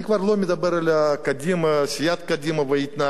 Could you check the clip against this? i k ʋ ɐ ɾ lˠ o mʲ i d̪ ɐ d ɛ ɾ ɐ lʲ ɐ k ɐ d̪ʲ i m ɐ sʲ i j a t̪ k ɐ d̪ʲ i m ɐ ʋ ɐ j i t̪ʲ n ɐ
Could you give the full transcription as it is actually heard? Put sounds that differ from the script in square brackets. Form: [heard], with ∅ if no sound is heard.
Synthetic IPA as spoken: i k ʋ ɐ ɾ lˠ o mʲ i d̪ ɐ [b] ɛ ɾ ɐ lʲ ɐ k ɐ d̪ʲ i m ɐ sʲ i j a t̪ k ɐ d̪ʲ i m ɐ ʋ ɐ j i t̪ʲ n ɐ